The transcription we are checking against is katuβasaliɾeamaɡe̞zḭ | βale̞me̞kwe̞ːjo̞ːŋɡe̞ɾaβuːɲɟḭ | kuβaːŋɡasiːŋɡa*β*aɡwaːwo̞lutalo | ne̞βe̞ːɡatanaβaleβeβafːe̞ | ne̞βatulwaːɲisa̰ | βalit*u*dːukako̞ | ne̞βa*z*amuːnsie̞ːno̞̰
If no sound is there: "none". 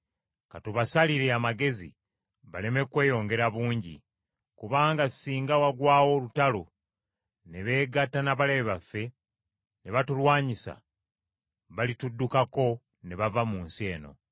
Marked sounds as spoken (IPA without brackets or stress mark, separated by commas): w, u, v